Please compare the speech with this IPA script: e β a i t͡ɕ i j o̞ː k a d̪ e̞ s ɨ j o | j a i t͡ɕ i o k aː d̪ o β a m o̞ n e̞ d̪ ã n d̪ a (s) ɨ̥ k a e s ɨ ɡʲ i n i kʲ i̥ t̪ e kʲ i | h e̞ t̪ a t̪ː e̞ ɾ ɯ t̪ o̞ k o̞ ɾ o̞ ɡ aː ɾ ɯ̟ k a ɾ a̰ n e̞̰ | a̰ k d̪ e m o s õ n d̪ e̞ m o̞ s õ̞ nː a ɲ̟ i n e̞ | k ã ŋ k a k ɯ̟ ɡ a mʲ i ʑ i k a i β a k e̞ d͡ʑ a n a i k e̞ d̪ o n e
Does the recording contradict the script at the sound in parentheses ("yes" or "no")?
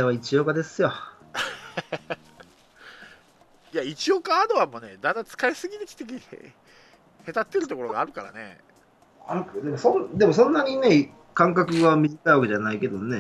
yes